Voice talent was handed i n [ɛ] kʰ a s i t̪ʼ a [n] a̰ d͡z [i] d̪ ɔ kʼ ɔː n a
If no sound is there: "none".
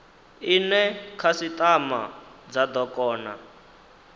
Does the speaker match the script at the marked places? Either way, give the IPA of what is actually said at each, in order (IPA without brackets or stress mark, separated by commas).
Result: ɛ, m, a